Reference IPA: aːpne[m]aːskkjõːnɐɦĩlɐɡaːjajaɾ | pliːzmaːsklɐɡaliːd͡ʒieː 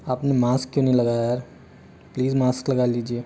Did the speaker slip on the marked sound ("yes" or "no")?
no